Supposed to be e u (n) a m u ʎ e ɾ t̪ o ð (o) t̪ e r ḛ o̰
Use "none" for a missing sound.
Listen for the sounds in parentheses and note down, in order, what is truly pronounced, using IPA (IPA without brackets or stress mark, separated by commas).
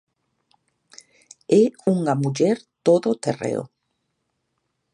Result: ŋ, o